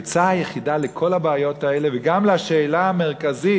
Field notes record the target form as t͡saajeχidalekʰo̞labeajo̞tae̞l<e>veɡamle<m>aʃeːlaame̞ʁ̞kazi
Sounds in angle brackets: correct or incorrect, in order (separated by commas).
correct, incorrect